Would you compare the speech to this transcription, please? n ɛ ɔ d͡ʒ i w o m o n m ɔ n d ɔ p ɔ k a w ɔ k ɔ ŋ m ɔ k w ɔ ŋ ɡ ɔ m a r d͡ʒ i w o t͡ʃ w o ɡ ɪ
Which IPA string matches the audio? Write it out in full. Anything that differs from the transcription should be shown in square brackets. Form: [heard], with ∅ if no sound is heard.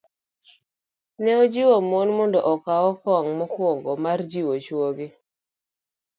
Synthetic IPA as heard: n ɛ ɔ d͡ʒ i w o m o n m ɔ n d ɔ [ʔ] ɔ k a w ɔ k ɔ ŋ m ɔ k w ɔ ŋ ɡ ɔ m a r d͡ʒ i w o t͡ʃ w o ɡ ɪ